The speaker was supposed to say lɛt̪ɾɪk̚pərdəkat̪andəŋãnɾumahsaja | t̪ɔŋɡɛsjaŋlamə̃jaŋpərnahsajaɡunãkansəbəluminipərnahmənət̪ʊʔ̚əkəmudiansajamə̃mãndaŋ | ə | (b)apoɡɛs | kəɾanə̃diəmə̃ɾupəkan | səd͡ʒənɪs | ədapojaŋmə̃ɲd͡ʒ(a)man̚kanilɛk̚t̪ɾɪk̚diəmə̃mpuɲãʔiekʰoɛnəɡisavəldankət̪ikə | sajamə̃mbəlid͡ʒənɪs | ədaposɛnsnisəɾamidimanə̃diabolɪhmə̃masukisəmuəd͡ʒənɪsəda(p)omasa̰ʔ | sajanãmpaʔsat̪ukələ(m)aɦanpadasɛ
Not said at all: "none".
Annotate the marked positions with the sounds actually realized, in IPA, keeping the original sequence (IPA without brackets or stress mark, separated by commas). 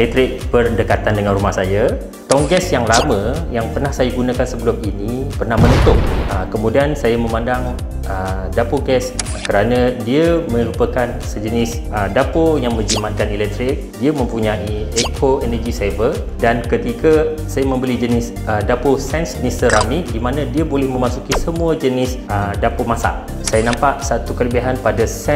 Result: d, i, p, b